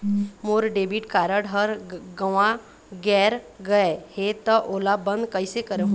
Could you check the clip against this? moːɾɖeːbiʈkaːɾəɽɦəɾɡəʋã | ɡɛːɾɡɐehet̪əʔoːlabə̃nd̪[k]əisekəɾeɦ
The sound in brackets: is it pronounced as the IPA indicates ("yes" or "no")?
yes